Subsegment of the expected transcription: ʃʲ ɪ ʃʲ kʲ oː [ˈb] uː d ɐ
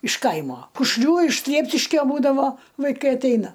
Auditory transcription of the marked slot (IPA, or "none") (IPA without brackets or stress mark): b